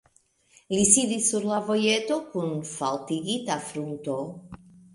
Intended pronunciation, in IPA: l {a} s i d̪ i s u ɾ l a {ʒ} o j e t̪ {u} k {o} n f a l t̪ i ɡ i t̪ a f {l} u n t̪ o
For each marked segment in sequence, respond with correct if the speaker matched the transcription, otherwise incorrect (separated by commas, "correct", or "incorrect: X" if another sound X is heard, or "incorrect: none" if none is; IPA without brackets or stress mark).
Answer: incorrect: i, incorrect: v, incorrect: o, incorrect: u, incorrect: ɾ